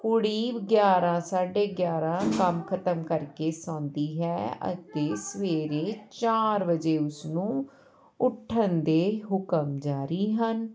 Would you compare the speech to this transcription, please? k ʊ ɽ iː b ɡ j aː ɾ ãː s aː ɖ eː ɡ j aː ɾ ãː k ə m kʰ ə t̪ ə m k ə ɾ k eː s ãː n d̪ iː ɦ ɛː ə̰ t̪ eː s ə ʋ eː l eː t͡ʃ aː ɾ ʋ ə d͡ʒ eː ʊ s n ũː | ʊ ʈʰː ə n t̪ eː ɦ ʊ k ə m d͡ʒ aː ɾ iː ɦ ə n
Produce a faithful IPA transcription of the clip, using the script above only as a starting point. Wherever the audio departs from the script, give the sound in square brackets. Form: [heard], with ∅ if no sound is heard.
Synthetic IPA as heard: k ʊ ɽ iː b ɡ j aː ɾ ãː s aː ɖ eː ɡ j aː ɾ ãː k ə m kʰ ə t̪ ə m k ə ɾ k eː s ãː n d̪ iː ɦ ɛː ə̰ t̪ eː s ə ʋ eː [ɾ] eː t͡ʃ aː ɾ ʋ ə d͡ʒ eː ʊ s n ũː | ʊ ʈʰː ə n [d̪] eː ɦ ʊ k ə m d͡ʒ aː ɾ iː ɦ ə n